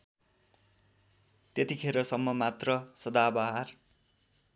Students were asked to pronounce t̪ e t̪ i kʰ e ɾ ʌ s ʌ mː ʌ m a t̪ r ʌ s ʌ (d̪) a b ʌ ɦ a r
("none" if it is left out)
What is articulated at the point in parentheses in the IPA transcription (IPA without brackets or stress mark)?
d̪